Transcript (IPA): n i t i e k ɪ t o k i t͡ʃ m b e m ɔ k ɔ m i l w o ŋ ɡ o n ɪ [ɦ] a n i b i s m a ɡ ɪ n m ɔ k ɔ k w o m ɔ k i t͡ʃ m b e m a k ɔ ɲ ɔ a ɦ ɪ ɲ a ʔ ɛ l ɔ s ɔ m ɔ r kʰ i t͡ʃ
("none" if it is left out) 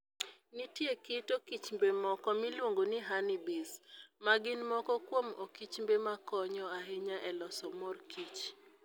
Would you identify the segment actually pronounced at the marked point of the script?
ɦ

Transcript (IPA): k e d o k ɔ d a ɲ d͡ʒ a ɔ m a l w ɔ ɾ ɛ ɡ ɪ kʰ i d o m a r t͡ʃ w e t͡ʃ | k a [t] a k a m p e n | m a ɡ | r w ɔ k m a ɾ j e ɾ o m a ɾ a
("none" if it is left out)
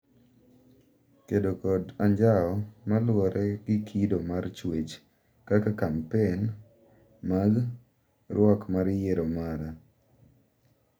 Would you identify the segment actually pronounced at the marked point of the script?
k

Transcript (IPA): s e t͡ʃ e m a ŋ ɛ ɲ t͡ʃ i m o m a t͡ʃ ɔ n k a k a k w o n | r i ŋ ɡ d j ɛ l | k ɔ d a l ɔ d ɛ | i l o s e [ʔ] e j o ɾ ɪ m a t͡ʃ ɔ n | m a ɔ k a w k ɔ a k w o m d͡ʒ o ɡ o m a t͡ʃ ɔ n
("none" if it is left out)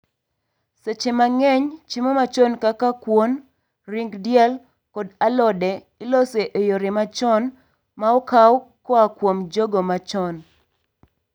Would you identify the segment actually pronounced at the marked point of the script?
ʔ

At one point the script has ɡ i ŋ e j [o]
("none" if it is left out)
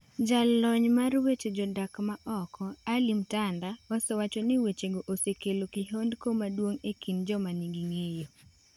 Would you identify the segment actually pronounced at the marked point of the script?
o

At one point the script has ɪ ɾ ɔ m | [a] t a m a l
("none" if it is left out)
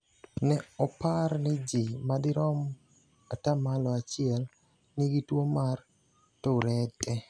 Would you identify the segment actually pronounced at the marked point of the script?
a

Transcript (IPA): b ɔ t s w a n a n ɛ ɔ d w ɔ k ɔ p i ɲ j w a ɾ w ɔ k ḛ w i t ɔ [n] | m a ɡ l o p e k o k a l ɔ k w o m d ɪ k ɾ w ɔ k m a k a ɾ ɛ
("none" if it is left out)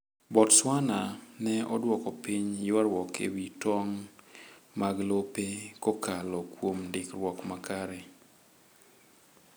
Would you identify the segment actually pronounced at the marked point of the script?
ŋ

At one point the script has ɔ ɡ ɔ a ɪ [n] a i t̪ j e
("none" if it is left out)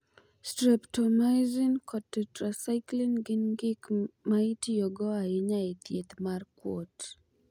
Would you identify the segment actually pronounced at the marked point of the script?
ɲ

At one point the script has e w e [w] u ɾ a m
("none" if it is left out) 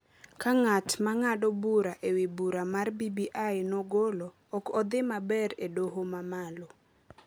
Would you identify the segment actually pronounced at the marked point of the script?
b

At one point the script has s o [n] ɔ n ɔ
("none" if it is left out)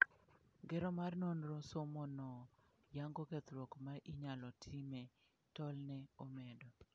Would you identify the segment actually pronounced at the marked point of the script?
m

